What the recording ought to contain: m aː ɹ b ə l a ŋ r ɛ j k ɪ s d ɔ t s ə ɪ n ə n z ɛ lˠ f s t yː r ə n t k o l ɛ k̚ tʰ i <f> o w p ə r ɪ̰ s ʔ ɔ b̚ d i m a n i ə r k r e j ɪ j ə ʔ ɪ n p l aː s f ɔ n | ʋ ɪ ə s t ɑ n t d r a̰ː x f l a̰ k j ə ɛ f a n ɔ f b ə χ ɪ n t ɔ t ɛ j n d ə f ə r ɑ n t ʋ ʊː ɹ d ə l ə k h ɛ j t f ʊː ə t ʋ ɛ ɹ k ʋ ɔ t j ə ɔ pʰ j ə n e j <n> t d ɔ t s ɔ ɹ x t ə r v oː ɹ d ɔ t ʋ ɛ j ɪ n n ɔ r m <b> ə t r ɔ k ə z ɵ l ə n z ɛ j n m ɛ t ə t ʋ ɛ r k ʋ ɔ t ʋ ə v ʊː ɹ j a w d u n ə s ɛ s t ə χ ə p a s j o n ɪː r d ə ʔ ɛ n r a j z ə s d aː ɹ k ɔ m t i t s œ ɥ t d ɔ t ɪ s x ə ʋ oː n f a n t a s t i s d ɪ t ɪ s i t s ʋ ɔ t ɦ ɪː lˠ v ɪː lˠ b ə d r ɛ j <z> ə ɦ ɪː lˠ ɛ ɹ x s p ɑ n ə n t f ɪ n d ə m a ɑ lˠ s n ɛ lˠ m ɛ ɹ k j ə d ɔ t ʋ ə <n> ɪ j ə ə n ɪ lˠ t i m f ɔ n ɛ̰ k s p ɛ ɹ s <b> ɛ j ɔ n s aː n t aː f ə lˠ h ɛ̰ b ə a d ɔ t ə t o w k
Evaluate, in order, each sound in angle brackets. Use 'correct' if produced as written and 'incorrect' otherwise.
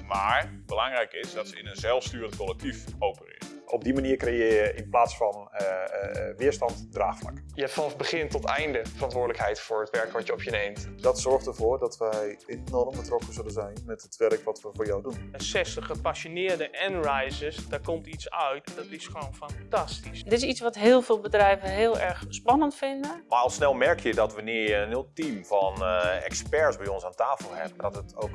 correct, incorrect, correct, incorrect, correct, correct

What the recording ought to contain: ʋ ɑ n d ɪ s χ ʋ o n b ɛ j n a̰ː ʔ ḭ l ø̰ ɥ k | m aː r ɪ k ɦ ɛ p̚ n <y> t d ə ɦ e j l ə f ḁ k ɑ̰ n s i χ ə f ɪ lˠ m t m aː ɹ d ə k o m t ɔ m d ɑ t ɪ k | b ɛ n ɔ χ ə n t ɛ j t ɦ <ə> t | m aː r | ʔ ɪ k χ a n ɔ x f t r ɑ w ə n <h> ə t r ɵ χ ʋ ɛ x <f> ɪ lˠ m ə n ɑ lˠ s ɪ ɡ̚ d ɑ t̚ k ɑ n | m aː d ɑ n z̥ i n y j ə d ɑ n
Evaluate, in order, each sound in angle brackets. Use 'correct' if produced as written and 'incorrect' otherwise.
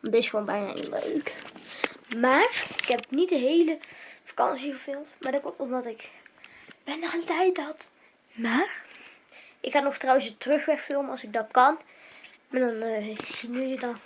incorrect, incorrect, incorrect, correct

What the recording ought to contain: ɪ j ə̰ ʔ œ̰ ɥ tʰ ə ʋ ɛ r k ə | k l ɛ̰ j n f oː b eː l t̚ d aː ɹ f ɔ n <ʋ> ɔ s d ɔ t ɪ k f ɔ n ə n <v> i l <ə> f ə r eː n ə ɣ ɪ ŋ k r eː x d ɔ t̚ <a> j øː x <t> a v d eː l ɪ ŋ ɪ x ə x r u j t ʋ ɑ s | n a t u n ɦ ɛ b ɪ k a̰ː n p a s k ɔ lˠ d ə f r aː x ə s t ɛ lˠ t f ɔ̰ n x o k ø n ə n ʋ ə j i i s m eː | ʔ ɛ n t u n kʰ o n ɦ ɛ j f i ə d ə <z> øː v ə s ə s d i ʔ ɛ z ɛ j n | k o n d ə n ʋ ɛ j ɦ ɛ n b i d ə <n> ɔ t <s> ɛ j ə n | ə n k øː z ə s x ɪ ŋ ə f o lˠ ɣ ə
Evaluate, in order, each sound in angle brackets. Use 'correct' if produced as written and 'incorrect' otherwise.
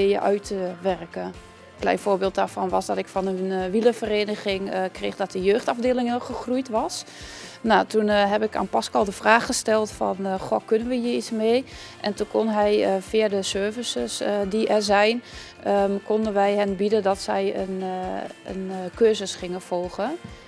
correct, incorrect, correct, incorrect, correct, incorrect, incorrect, correct

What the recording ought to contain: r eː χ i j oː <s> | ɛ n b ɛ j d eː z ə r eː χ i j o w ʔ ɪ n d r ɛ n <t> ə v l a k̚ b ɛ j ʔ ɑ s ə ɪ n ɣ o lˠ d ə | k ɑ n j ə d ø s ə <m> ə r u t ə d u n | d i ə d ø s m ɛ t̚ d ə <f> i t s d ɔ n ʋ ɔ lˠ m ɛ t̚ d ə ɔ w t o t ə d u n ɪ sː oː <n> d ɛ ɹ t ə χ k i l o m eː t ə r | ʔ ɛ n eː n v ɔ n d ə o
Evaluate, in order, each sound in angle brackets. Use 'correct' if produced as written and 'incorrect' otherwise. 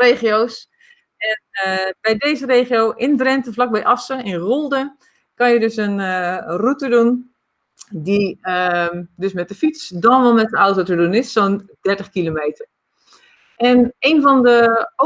correct, correct, incorrect, correct, correct

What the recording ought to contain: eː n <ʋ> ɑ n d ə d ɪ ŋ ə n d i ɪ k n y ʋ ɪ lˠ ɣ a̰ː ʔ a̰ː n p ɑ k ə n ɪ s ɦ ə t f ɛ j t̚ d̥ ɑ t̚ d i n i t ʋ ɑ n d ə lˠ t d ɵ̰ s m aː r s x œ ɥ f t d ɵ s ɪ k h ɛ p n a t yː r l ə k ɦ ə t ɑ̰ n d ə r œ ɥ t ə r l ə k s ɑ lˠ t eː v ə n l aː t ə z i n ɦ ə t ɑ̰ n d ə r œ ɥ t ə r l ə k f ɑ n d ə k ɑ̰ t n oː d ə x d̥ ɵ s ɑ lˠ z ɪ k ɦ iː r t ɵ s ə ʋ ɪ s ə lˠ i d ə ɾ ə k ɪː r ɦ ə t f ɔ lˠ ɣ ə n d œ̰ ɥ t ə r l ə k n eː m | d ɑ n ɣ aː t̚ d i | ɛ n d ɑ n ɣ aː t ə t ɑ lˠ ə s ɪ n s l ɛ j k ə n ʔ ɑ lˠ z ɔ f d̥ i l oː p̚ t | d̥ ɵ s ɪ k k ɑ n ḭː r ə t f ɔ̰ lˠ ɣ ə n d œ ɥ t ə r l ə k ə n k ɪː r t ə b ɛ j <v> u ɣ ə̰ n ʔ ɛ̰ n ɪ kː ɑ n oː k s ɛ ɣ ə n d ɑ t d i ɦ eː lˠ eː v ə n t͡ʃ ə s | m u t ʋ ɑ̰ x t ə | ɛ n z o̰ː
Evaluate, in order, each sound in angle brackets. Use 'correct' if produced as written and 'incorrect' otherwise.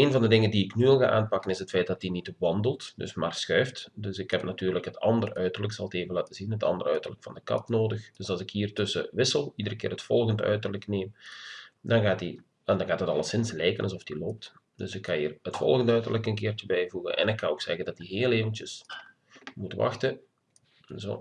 incorrect, correct

